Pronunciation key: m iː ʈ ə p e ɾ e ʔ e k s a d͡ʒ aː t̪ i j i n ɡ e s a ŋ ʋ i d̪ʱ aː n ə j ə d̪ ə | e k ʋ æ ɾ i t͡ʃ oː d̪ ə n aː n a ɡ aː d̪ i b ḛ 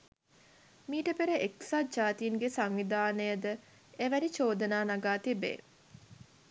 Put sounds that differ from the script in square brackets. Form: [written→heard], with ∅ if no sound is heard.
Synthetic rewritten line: m iː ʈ ə p e ɾ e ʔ e k s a d͡ʒ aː t̪ i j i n ɡ e s a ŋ ʋ i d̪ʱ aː n ə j ə d̪ ə | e [k→∅] ʋ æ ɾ i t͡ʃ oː d̪ ə n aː n a ɡ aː [d̪→t̪] i b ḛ

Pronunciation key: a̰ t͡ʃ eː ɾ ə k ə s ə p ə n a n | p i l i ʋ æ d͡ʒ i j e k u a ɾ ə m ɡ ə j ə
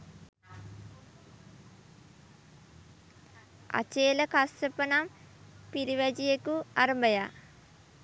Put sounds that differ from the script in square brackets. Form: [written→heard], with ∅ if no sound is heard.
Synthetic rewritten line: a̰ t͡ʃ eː [ɾ→l] ə k [ə→a] s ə p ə n a [n→m] | p i [l→ɾ] i ʋ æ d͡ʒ i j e k u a ɾ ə m [ɡ→b] ə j [ə→a]

